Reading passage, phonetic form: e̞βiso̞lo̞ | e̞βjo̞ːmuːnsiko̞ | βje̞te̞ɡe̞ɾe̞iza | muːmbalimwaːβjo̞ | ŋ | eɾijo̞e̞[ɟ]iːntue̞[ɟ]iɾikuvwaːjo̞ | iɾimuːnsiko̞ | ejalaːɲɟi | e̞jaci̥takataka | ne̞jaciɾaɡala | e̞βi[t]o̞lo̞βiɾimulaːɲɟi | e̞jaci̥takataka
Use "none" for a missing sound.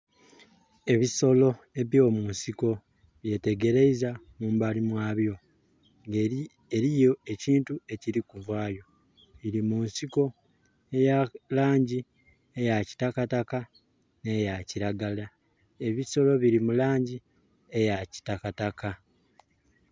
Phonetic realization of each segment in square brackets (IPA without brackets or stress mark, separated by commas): c, c, s